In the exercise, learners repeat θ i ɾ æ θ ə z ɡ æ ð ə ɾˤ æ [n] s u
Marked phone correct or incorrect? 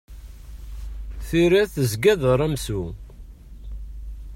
incorrect